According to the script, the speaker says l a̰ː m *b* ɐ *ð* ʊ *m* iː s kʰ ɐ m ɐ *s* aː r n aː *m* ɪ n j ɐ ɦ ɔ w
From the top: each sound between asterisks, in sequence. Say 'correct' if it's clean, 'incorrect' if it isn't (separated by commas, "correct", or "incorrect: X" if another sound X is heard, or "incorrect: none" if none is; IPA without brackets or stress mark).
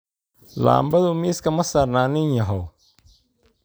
correct, correct, correct, correct, incorrect: n